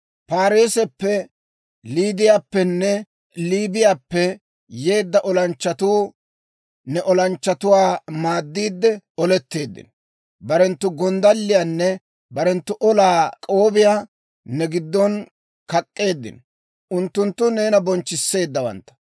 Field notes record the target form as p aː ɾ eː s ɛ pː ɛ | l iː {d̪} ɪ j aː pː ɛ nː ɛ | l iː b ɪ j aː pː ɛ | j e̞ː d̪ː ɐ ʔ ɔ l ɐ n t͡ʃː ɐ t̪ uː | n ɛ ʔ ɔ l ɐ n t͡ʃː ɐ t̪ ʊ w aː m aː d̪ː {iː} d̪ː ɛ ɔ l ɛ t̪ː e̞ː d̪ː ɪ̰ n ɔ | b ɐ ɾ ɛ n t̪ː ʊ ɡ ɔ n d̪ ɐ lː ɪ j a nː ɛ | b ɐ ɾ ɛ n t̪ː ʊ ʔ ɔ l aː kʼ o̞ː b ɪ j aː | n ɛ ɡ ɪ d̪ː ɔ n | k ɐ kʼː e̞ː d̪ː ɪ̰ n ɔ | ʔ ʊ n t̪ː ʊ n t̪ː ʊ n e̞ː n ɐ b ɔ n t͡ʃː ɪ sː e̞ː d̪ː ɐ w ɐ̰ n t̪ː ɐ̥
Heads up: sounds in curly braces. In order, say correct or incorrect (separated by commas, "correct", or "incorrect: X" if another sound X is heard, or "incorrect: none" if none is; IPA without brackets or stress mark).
correct, correct